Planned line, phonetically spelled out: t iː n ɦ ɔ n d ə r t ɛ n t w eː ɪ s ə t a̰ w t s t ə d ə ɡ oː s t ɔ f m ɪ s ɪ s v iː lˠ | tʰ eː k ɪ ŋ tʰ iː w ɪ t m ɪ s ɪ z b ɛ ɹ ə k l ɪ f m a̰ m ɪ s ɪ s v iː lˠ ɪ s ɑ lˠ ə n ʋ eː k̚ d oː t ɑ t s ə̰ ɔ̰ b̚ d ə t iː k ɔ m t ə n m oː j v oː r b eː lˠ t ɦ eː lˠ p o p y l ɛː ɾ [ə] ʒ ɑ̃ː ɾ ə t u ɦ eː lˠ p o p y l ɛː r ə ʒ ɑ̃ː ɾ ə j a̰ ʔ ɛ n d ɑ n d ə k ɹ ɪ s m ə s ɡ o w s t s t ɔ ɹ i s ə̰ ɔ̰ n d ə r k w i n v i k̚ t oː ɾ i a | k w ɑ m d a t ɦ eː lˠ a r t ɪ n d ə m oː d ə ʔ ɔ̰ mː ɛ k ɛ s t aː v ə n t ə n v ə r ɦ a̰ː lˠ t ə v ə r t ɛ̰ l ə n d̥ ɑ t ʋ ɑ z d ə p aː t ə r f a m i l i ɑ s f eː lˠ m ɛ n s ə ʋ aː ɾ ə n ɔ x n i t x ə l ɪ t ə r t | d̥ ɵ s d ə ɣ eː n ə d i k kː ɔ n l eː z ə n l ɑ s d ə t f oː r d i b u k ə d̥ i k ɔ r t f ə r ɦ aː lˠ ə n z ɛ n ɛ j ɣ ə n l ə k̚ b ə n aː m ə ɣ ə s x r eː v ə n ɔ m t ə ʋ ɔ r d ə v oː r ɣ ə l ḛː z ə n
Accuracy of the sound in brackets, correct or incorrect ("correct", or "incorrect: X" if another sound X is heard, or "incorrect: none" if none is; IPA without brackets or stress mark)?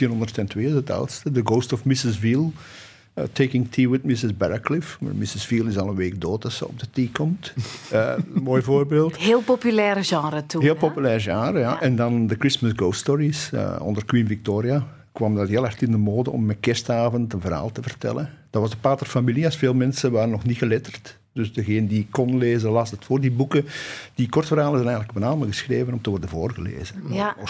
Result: correct